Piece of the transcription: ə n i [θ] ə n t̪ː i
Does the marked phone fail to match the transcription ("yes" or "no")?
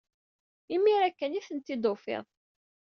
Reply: no